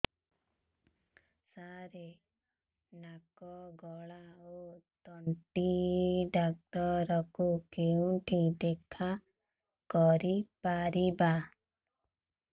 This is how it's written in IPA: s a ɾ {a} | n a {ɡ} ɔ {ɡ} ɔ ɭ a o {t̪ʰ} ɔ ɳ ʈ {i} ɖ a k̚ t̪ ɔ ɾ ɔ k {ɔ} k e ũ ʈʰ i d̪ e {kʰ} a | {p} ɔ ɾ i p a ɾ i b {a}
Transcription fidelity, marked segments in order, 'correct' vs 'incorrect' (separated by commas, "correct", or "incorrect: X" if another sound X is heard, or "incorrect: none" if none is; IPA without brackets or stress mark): incorrect: e, incorrect: k, correct, incorrect: t̪, correct, incorrect: u, correct, incorrect: k, correct